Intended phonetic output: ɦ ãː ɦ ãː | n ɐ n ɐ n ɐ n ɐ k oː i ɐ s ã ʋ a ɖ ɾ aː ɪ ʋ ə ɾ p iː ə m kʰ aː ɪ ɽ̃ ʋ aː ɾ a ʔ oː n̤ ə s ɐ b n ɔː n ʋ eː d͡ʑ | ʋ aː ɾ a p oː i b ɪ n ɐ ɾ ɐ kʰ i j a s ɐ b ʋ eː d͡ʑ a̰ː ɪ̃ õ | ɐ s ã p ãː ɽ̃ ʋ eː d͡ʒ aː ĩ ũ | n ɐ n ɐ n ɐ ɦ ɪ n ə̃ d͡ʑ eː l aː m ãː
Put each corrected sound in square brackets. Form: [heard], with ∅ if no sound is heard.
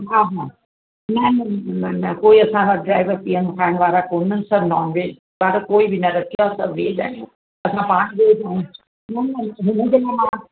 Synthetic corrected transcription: ɦ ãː ɦ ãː | n ɐ n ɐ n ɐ n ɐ k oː i ɐ s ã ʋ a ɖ ɾ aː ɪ ʋ ə ɾ p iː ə m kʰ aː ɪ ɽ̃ ʋ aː ɾ a [k] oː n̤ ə s ɐ b n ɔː n ʋ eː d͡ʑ | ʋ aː ɾ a [k] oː i b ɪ n ɐ ɾ ɐ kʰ i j a s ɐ b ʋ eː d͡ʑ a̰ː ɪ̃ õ | ɐ s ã p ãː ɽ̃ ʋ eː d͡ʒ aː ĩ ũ | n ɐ n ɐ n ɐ ɦ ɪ n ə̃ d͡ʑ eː l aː m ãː